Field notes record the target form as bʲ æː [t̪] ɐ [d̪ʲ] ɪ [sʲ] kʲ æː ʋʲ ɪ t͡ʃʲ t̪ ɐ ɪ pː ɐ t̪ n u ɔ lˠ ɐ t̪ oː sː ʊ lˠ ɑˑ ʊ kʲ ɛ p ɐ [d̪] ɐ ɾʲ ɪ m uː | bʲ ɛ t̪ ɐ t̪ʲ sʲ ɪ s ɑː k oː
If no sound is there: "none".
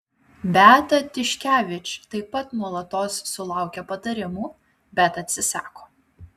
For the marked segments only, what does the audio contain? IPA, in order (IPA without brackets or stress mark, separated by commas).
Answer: t̪, t̪ʲ, ʃʲ, t̪